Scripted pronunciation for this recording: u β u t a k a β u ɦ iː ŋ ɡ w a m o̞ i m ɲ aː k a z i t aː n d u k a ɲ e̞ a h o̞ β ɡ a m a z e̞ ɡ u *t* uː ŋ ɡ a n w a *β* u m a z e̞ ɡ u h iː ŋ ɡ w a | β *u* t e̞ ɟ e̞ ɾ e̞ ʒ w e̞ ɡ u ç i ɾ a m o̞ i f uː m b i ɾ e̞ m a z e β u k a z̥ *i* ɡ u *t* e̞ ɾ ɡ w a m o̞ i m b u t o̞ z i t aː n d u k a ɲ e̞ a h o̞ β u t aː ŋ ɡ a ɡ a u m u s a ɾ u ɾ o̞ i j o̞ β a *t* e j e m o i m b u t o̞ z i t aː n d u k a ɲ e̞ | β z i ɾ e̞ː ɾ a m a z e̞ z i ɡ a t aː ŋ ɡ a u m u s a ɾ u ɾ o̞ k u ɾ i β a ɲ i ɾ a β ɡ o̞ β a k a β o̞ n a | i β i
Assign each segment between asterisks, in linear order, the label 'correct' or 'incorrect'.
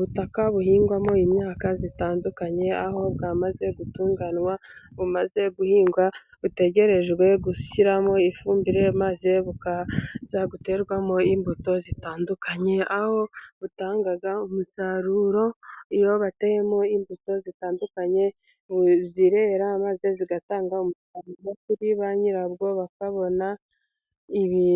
correct, correct, correct, incorrect, correct, correct

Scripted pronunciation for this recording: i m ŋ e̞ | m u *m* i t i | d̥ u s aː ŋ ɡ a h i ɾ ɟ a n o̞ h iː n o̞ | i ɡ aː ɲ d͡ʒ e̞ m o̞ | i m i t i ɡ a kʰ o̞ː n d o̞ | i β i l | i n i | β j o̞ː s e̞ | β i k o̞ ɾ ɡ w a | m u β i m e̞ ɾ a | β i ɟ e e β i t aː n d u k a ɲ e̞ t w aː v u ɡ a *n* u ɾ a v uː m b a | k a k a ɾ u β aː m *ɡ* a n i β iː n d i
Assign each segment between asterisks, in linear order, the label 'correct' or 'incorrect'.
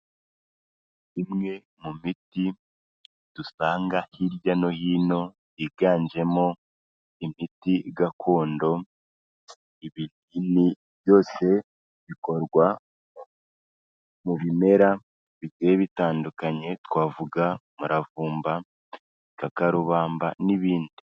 correct, incorrect, incorrect

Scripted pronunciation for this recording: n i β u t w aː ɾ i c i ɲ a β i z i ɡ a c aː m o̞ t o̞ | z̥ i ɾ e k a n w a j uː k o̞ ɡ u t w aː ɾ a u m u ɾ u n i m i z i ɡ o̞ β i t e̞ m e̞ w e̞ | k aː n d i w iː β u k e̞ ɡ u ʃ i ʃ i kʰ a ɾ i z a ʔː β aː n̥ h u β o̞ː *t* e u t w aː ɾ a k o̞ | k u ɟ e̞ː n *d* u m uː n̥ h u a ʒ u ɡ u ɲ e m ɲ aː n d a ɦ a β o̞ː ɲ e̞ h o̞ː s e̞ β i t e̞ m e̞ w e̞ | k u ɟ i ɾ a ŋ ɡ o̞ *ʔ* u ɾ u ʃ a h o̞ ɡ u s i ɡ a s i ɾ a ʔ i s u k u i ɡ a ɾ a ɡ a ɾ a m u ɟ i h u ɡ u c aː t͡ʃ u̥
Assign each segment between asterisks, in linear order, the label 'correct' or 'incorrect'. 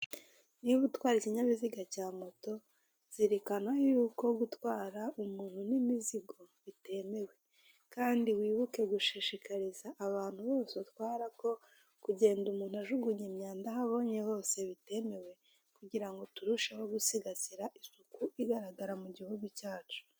incorrect, correct, incorrect

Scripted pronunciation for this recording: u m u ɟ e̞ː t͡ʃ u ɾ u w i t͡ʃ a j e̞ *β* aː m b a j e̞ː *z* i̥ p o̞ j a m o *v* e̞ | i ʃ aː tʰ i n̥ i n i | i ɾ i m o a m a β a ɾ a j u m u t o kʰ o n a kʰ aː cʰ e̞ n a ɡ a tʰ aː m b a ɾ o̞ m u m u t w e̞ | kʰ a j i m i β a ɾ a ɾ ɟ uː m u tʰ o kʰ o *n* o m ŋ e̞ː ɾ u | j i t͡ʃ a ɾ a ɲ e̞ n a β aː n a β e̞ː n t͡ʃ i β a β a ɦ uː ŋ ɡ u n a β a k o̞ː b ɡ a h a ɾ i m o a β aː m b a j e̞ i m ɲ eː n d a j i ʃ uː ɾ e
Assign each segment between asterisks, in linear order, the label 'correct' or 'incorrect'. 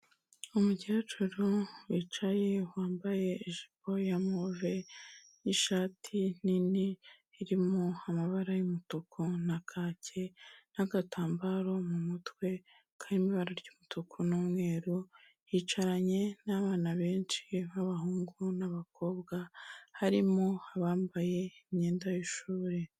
incorrect, incorrect, correct, correct

